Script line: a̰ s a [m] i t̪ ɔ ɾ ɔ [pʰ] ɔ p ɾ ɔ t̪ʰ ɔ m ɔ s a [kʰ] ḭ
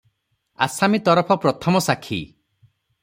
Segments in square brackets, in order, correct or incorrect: correct, correct, correct

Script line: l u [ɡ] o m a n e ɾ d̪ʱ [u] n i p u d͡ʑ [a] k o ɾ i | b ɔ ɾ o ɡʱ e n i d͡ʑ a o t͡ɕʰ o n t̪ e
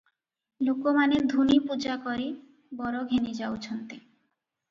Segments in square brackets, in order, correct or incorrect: incorrect, correct, correct

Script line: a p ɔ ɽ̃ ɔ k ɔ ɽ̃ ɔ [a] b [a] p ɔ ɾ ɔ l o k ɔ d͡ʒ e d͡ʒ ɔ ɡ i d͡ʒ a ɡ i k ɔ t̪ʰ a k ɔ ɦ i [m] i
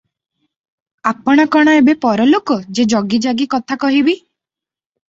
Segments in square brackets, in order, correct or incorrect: incorrect, incorrect, incorrect

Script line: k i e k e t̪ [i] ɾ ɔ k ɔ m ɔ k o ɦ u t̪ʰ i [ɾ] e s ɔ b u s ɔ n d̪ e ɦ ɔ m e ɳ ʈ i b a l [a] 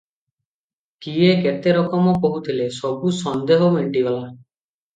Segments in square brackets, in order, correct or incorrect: incorrect, incorrect, correct

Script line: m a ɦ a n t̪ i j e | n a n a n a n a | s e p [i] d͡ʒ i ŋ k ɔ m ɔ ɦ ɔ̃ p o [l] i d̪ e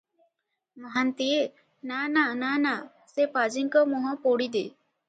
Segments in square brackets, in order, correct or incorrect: incorrect, incorrect

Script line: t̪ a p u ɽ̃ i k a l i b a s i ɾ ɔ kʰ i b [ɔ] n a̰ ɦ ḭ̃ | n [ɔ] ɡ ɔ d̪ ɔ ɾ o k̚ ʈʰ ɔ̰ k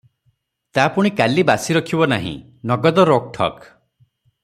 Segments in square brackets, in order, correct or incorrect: correct, correct

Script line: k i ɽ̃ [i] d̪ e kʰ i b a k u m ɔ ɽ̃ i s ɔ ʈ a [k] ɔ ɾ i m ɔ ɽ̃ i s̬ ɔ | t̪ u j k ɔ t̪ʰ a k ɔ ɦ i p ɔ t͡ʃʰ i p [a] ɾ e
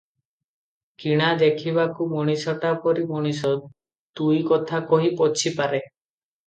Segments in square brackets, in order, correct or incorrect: incorrect, incorrect, correct

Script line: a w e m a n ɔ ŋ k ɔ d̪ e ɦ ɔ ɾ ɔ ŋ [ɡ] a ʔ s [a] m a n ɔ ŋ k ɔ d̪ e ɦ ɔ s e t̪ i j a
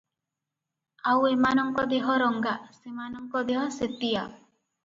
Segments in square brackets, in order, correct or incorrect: correct, incorrect

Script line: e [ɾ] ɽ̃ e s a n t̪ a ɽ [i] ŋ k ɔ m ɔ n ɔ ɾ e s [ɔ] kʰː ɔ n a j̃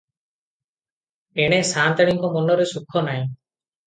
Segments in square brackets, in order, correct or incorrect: incorrect, correct, incorrect

